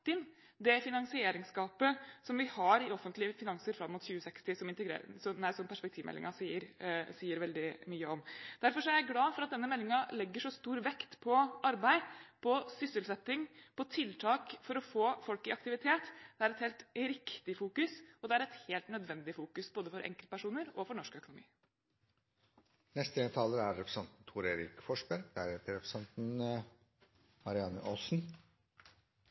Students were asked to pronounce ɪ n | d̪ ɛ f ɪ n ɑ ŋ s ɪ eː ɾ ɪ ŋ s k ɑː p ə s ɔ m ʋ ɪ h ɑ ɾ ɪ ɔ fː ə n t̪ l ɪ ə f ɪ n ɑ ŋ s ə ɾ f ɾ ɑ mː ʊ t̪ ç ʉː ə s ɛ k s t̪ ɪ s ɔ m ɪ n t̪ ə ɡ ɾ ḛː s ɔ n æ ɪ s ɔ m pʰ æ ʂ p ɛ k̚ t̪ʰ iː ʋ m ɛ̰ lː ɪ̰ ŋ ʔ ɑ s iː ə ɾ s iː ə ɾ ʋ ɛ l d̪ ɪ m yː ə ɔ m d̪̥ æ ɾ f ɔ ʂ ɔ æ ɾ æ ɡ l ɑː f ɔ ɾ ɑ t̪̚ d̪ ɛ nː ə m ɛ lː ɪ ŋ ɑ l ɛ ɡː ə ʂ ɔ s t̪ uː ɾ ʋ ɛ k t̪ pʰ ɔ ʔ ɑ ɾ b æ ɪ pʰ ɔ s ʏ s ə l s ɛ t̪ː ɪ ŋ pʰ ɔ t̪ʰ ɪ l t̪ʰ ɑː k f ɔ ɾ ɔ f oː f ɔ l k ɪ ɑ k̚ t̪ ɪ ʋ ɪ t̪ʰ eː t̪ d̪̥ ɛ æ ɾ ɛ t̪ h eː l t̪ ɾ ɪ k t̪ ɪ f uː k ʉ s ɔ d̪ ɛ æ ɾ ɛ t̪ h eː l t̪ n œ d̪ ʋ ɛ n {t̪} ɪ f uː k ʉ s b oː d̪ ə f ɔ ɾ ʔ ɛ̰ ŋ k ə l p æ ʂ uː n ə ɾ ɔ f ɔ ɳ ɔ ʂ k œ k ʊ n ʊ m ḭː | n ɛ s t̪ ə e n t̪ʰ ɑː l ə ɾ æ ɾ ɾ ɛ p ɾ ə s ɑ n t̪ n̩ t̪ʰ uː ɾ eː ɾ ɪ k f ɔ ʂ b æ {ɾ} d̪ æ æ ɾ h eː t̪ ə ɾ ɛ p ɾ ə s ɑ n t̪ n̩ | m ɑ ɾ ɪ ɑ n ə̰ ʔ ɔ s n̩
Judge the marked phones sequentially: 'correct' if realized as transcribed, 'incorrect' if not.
incorrect: d̪, correct

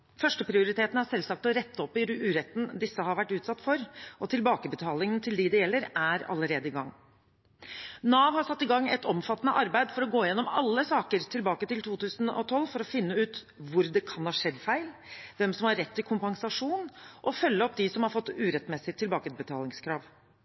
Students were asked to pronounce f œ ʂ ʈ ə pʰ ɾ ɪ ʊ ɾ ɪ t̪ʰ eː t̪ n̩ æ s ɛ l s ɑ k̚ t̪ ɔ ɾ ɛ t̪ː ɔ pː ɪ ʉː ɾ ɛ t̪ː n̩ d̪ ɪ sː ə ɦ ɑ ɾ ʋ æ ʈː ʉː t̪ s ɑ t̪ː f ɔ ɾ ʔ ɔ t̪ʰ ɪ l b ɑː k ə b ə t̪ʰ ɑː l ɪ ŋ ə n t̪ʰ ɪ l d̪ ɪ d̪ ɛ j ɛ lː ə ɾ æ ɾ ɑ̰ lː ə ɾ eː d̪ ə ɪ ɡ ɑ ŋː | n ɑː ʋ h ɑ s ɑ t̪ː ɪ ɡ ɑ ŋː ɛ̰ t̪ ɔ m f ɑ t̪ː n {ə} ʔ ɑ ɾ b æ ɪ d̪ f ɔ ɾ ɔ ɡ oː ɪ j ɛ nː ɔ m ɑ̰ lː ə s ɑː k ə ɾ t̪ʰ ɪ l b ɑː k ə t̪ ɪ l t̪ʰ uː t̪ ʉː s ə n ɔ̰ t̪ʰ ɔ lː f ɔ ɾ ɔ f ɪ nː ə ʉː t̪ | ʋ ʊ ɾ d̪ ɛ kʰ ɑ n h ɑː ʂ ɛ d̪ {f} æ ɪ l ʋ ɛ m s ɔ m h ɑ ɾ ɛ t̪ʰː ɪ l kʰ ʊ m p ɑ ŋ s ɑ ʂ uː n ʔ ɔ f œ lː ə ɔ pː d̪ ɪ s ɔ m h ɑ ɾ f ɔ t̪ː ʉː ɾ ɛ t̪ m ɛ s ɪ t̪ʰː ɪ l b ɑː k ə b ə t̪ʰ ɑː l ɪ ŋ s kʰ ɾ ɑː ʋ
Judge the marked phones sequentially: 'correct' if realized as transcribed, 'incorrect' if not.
correct, correct

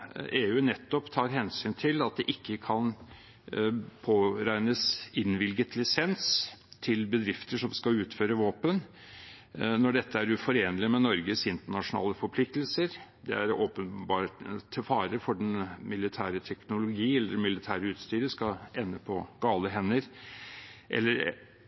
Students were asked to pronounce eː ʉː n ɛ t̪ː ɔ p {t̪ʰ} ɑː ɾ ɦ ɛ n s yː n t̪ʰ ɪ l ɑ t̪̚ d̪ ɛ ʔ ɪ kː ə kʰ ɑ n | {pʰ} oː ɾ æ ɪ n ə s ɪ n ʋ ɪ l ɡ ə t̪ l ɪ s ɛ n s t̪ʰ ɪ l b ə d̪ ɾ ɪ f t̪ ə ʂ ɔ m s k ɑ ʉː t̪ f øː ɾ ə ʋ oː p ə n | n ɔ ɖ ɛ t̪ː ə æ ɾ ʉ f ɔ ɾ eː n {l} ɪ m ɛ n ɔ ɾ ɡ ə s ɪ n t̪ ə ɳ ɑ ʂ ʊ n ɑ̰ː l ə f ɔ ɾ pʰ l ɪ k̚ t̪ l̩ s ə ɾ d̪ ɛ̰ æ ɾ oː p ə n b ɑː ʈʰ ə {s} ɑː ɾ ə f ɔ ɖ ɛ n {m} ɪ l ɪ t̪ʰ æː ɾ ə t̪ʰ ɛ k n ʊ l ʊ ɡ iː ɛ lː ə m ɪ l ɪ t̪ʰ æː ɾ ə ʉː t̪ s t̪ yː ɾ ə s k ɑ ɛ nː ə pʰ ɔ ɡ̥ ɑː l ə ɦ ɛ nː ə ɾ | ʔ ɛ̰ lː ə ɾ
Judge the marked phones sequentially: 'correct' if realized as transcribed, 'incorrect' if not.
correct, correct, correct, incorrect: f, correct

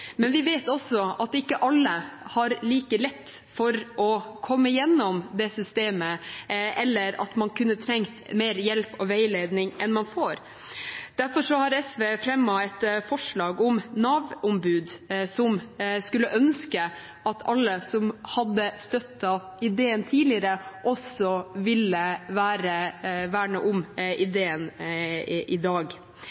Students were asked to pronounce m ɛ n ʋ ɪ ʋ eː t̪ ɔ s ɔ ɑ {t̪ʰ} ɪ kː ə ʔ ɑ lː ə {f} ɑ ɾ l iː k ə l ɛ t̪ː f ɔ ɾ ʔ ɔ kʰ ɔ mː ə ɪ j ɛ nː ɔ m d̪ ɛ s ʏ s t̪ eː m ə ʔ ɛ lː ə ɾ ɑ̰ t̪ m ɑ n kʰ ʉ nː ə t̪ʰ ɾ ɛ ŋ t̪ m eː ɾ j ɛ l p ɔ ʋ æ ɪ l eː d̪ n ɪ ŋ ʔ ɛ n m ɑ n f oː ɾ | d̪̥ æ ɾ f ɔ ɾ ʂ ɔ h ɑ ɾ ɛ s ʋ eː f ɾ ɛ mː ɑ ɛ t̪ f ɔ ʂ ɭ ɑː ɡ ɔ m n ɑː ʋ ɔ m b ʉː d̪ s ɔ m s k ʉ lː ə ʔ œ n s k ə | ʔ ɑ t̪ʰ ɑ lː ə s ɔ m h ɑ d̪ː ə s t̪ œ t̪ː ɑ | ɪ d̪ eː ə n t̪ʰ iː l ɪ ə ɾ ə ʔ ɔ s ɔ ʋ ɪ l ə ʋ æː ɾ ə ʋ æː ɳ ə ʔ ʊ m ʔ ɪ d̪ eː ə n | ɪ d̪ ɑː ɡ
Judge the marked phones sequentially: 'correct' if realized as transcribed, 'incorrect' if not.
incorrect: t̪, incorrect: h

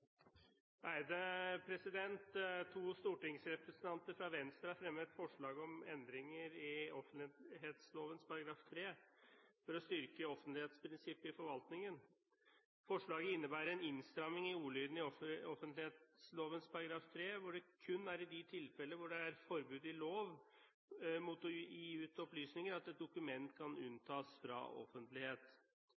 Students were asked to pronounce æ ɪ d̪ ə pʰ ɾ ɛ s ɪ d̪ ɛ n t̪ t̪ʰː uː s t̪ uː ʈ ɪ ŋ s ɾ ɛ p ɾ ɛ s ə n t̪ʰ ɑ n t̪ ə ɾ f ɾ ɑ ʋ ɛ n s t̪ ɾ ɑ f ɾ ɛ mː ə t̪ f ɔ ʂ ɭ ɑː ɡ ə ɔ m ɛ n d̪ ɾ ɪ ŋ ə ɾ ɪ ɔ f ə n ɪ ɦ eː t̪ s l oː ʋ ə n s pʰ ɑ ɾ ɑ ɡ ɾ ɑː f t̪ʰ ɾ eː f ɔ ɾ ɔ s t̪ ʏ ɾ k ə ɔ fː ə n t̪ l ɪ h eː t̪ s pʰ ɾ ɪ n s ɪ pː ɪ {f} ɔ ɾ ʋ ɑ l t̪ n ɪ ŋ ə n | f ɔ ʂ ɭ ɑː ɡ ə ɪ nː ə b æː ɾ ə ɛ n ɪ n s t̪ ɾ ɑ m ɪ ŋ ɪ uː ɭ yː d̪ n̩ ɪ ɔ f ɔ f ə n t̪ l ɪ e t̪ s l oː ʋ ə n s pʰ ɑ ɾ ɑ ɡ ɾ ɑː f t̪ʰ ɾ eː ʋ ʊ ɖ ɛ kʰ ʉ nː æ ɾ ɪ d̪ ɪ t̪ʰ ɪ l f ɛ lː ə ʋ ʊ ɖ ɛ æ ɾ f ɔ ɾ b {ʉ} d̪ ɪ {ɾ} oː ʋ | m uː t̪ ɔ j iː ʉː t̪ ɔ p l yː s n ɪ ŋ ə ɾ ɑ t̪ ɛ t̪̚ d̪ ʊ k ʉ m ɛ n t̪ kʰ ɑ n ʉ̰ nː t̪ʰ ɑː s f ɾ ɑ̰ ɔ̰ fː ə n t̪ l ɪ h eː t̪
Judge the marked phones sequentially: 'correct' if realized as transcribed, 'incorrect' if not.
correct, incorrect: ʉː, incorrect: l

